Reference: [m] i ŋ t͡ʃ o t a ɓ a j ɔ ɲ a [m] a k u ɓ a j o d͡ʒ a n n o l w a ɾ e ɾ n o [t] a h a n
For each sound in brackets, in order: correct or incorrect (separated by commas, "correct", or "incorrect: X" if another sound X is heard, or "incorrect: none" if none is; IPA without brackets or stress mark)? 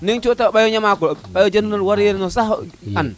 incorrect: n, correct, incorrect: s